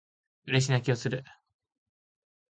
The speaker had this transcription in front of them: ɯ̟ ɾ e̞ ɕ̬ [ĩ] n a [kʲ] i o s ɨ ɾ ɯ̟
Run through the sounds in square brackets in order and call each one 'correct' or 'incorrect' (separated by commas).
incorrect, correct